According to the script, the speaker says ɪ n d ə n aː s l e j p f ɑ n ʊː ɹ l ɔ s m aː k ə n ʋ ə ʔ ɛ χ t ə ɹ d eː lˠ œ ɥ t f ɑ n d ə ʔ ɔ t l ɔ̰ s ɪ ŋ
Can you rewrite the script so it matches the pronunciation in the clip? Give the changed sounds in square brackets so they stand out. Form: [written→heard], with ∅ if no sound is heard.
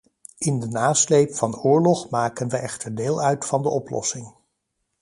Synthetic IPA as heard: ɪ n d ə n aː s l e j p f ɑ n ʊː ɹ l ɔ [s→χ] m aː k ə n ʋ ə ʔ ɛ χ t ə ɹ d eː lˠ œ ɥ t f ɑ n d ə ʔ ɔ [t→p] l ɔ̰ s ɪ ŋ